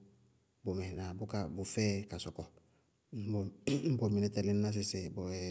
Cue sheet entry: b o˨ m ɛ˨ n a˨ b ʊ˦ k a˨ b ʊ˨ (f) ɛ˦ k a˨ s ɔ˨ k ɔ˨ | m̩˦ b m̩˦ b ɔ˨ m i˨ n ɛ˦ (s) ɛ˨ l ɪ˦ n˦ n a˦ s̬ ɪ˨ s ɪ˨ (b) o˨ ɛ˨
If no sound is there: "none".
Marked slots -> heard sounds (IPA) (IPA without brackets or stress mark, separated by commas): f, t, b